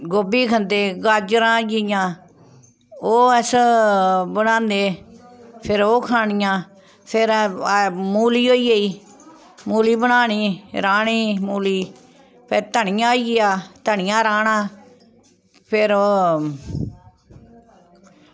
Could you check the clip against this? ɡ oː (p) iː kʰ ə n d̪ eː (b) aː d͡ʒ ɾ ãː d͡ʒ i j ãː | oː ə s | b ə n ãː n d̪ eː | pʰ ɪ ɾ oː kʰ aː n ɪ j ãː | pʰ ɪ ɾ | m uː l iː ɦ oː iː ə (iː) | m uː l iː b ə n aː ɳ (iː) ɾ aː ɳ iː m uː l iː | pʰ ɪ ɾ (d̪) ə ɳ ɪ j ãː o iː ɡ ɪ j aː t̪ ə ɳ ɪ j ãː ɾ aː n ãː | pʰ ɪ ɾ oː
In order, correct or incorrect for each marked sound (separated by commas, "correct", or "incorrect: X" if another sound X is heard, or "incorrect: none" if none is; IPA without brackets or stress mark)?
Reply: incorrect: b, incorrect: ɡ, correct, correct, incorrect: t̪